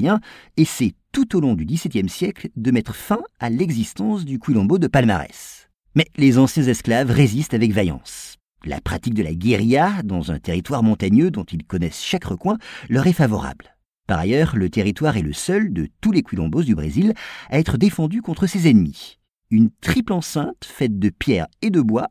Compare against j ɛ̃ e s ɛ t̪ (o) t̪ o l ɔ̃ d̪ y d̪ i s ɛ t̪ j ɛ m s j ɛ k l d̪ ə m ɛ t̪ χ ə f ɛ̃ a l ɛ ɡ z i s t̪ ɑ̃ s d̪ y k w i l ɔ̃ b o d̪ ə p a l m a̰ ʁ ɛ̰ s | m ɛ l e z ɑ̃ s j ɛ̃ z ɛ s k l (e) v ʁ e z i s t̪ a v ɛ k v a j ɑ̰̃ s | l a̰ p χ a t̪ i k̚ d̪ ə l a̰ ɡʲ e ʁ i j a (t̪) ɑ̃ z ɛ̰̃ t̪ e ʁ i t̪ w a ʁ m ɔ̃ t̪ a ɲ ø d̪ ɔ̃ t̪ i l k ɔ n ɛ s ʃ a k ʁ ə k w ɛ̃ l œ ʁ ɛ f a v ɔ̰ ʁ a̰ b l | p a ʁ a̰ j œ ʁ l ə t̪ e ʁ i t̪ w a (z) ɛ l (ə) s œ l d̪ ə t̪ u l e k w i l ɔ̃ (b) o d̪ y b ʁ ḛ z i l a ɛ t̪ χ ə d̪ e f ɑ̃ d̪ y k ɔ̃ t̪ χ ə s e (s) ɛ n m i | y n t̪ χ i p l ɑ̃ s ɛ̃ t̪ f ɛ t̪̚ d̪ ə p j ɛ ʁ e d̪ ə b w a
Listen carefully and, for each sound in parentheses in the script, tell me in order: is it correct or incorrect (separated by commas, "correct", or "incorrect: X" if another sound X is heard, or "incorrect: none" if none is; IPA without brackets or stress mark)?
incorrect: u, incorrect: a, incorrect: d̪, incorrect: ʁ, correct, correct, incorrect: z